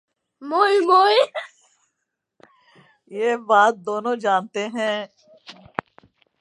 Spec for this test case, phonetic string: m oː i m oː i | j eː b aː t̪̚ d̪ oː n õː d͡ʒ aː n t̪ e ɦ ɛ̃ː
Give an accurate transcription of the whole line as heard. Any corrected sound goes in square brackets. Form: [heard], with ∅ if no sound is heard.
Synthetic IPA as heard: m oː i m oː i | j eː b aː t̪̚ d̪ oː n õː d͡ʒ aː n t̪ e ɦ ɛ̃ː

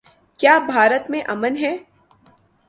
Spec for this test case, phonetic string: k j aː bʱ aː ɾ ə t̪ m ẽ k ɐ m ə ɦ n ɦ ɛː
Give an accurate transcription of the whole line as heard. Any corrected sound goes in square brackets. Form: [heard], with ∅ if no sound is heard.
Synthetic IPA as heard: k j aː bʱ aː ɾ ə t̪ m ẽ [ʔ] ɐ m ə [∅] n ɦ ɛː

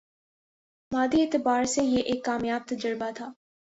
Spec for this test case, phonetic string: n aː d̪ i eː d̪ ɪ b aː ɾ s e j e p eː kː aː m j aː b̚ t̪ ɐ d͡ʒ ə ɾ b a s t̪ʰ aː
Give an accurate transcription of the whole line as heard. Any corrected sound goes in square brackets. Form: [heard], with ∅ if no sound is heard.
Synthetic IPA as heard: [m] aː d̪ i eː [t̪] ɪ b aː ɾ s e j e [ʔ] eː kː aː m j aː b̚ t̪ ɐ d͡ʒ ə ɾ b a [∅] t̪ʰ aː

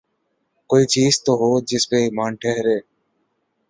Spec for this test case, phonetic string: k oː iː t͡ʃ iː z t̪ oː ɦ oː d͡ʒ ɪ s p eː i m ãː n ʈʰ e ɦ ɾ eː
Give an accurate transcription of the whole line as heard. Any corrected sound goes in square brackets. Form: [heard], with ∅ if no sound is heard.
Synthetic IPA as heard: k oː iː t͡ʃ iː z t̪ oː ɦ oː d͡ʒ ɪ s p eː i m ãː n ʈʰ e ɦ ɾ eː

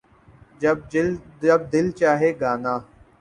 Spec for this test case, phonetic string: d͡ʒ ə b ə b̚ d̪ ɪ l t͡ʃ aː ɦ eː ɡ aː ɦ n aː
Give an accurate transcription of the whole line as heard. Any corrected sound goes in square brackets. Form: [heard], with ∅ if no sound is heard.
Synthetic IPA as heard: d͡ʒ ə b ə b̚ d̪ ɪ l t͡ʃ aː ɦ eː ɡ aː [∅] n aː

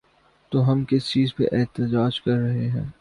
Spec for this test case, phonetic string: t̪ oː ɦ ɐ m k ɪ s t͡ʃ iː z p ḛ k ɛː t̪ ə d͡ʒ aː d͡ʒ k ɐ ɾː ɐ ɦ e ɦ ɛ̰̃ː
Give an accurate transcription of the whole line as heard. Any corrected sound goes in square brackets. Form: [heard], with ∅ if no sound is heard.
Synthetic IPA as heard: t̪ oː ɦ ɐ m k ɪ s t͡ʃ iː z p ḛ [ʔ] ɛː t̪ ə d͡ʒ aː d͡ʒ k ɐ ɾː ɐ ɦ e ɦ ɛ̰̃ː

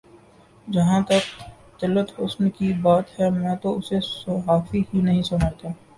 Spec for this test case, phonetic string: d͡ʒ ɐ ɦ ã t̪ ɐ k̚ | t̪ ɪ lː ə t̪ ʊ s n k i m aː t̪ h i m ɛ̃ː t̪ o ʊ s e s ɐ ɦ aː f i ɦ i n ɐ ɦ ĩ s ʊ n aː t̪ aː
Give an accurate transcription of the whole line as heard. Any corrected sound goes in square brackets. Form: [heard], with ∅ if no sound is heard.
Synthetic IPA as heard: d͡ʒ ɐ ɦ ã t̪ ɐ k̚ | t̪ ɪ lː ə t̪ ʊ s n k i [b] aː t̪ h [ɛ] m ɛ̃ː t̪ o ʊ s e s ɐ ɦ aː f i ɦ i n ɐ ɦ ĩ s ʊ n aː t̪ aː

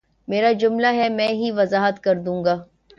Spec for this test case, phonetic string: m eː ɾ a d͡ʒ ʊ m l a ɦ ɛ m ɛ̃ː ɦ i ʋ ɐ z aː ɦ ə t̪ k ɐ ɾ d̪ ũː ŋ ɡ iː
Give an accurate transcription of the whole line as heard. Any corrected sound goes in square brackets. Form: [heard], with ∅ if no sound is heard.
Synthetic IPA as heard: m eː ɾ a d͡ʒ ʊ m l a ɦ ɛ m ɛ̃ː ɦ i ʋ ɐ z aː ɦ ə t̪ k ɐ ɾ d̪ ũː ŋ ɡ [aː]

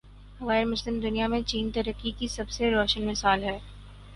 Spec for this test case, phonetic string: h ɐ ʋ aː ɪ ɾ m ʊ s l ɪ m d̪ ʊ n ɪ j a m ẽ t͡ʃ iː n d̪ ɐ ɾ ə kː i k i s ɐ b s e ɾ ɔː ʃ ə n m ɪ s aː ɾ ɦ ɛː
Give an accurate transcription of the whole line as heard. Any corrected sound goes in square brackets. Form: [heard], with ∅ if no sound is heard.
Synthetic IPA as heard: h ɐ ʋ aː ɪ ɾ m ʊ s l ɪ m d̪ ʊ n [i] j a m ẽ t͡ʃ iː n [t̪] ɐ ɾ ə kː i k i s ɐ b s e ɾ ɔː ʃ ə n m ɪ s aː [l] ɦ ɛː

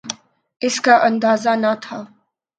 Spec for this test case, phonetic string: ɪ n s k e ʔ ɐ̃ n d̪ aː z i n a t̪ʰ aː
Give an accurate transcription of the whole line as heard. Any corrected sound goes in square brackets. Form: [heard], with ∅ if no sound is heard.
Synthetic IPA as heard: ɪ [∅] s k [a] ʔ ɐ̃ n d̪ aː z [a] n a t̪ʰ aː

